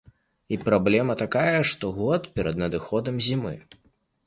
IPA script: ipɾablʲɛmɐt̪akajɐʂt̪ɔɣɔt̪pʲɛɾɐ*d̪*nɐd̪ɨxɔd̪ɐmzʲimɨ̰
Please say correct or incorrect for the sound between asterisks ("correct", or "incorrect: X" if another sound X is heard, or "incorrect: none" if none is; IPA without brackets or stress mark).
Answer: correct